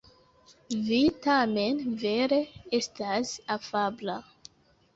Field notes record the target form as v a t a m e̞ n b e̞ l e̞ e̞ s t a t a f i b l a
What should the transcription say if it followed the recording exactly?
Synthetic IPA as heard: v i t a m e̞ n v e̞ ɾ e̞ e̞ s t a s a f a b l a